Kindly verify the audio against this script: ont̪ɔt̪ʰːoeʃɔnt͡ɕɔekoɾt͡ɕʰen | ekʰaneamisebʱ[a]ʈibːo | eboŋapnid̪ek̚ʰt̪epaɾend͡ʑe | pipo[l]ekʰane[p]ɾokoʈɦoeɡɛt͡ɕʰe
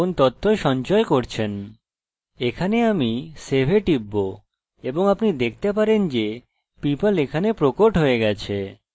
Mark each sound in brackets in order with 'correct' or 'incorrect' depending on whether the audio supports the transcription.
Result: incorrect: e, correct, correct

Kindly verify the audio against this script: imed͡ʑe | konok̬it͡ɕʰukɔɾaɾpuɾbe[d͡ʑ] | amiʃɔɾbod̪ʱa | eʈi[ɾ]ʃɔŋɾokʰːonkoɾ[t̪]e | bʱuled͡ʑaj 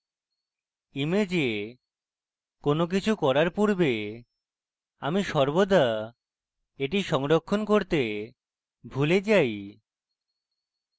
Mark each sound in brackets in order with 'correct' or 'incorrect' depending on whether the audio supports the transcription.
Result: incorrect: none, incorrect: none, correct

